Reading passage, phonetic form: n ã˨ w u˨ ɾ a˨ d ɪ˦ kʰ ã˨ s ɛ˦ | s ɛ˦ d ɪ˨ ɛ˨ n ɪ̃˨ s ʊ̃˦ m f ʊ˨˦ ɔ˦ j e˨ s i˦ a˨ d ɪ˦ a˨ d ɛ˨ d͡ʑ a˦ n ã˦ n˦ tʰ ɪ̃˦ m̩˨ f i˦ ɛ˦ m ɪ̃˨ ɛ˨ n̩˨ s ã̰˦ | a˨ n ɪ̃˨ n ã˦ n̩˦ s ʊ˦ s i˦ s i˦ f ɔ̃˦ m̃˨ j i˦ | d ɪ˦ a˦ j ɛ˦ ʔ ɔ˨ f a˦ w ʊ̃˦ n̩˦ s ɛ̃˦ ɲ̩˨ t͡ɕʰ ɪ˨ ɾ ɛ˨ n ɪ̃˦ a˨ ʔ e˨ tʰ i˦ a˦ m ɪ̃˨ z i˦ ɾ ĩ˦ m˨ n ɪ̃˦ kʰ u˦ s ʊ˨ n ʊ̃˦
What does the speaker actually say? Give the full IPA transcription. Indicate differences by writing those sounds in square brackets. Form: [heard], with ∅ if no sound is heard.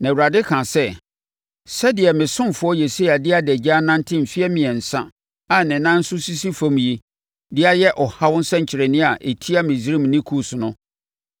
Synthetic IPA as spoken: n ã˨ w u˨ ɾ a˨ d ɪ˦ kʰ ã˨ s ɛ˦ | s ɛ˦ d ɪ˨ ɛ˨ [m] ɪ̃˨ s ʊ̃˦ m f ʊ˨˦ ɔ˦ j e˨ s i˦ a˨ d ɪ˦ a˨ d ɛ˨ d͡ʑ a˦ n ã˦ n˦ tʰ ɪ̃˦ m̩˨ f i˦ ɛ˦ m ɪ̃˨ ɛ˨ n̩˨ s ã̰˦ | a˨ n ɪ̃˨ n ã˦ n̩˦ s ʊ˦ s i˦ s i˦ f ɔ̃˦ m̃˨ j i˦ | d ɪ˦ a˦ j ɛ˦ ʔ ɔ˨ [h] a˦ w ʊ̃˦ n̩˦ s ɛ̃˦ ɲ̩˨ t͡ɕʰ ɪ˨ ɾ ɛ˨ n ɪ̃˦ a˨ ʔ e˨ tʰ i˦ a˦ m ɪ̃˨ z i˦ ɾ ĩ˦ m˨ n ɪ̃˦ kʰ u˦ s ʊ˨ n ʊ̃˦